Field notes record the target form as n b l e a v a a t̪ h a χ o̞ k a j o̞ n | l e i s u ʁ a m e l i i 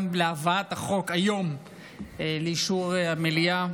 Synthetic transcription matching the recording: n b l e a v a a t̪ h a χ o̞ k a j o̞ m | l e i ʃ u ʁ a m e l i a